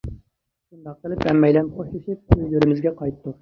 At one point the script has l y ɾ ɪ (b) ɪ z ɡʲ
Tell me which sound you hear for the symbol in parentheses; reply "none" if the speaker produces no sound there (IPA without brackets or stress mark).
m